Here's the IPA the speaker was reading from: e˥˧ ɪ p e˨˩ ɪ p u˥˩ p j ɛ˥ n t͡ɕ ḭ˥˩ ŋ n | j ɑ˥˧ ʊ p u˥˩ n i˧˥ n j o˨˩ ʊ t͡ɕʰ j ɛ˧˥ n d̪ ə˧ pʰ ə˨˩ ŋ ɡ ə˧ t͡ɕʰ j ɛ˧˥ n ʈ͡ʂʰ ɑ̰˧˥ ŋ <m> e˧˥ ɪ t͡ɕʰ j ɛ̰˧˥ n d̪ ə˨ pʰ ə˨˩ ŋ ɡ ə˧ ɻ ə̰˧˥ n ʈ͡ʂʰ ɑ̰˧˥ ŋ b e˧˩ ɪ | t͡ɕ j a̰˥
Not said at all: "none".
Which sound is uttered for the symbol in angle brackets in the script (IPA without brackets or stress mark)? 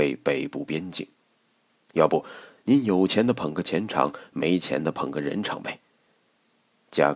m